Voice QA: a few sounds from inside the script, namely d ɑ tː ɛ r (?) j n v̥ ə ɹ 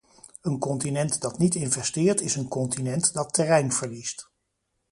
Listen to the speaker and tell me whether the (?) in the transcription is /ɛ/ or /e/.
ɛ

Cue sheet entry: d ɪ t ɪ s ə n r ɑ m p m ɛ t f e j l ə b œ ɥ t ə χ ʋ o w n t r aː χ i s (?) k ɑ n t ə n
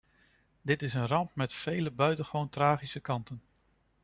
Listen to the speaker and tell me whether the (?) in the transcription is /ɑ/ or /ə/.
ə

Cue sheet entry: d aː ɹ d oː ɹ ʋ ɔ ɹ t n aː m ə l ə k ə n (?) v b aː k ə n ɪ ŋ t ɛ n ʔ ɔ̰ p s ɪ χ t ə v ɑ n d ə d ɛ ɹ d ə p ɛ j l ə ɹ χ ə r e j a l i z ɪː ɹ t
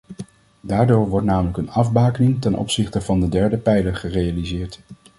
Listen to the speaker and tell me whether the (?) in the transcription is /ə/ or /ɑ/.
ɑ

